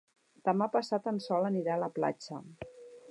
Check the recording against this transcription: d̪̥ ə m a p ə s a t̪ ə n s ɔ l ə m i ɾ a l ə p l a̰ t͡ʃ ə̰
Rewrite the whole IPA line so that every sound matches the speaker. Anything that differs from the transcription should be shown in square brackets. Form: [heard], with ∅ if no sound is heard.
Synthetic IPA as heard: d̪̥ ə m a p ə s a t̪ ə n s ɔ l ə [n] i ɾ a l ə p l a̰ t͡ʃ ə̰